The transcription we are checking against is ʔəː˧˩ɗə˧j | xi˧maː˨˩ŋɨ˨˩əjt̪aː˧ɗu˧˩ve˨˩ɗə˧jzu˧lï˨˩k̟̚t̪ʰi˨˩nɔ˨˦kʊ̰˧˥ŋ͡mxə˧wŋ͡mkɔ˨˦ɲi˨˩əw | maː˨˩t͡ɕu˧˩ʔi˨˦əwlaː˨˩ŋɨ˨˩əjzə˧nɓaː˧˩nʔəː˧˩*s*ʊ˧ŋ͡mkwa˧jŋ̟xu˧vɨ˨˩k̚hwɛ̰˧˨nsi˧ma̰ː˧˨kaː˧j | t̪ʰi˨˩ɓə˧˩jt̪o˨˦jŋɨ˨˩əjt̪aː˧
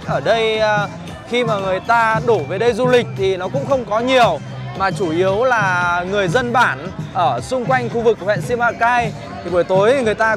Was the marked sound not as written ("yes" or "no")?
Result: no